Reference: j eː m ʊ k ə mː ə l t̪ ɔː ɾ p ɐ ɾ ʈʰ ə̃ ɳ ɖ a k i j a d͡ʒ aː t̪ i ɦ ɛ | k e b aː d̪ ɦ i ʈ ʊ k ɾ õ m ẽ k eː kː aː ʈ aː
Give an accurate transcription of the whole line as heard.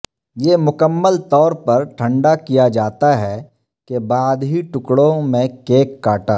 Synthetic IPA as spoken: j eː m ʊ k ə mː ə l t̪ ɔː ɾ p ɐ ɾ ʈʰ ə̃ ɳ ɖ a k i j a d͡ʒ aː t̪ a ɦ ɛ | k e b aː d̪ ɦ i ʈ ʊ k ɽ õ m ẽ k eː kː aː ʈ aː